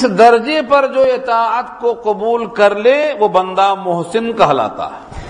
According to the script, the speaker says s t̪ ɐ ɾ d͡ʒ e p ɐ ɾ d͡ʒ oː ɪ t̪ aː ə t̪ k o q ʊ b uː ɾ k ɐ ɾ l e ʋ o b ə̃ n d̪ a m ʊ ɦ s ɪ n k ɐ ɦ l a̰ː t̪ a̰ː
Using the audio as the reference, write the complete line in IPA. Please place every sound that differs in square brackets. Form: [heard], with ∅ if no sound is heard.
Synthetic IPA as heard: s [d̪] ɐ ɾ d͡ʒ e p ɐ ɾ d͡ʒ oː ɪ t̪ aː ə t̪ k o q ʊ b uː [l] k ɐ ɾ l e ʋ o b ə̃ n d̪ a m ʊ ɦ s ɪ n k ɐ ɦ l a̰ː t̪ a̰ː